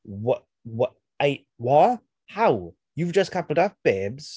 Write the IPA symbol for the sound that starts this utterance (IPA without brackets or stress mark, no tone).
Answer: w